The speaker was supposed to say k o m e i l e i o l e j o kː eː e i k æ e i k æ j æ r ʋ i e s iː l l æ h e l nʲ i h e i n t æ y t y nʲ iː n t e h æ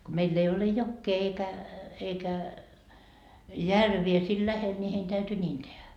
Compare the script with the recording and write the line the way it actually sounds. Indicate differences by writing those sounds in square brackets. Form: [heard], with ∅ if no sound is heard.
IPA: k o m e i [lː] e i o l e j o kː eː e i k æ e i k æ j æ r ʋ i e s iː l l æ h e l nʲ i h e i n t æ y t y nʲ iː n t e h æ